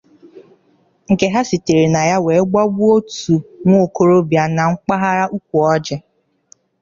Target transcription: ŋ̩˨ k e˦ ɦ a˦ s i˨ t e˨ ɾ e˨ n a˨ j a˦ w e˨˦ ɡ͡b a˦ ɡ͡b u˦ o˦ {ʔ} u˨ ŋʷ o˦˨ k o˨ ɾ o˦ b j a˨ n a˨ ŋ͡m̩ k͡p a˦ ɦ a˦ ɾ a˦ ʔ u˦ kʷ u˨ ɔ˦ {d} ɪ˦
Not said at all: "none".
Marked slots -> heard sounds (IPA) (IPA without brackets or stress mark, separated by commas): t, d͡ʒ